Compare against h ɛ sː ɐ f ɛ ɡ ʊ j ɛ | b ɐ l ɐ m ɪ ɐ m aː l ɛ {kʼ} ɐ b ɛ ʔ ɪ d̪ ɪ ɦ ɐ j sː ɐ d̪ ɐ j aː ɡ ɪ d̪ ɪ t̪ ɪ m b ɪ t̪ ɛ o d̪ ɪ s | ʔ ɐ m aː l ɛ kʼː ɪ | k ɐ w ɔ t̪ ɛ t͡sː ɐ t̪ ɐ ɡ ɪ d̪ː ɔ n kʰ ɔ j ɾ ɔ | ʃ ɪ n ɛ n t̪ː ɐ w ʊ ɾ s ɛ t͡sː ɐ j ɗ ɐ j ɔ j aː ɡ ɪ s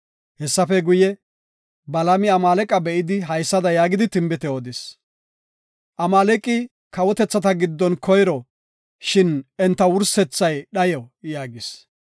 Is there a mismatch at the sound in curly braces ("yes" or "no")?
no